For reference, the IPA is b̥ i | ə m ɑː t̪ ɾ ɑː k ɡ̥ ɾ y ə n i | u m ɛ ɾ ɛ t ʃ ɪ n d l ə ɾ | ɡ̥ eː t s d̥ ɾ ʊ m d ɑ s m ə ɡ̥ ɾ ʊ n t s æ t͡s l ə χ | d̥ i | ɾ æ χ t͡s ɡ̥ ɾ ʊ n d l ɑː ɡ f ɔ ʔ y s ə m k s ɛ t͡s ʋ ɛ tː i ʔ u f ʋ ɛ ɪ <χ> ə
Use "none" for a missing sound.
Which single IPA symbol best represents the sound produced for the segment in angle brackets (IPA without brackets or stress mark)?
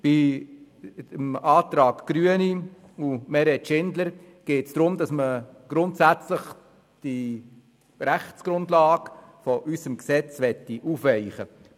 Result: χ